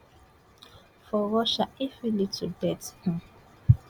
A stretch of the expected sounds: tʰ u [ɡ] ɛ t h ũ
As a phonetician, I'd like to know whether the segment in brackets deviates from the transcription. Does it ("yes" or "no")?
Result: yes